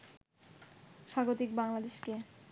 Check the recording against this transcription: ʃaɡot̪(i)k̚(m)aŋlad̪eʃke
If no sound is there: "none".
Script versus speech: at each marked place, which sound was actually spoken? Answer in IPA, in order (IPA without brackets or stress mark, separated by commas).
i, b